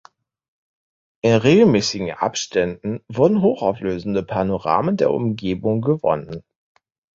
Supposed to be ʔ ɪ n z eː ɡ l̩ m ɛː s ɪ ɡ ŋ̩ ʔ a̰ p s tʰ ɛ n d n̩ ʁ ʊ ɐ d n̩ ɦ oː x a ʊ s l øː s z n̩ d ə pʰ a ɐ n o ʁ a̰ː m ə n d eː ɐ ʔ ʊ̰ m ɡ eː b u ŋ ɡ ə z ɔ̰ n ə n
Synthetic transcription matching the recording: ʔ ɪ n ʁ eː ɡ l̩ m ɛː s ɪ ɡ ŋ̩ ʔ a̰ p ʃ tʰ ɛ n d n̩ v ʊ ɐ d n̩ ɦ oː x a ʊ f l øː z n̩ d ə pʰ a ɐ n o ʁ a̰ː m ə n d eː ɐ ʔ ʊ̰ m ɡ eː b ʊ ŋ ɡ ə v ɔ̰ n ə n